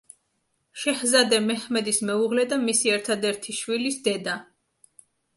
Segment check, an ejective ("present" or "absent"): absent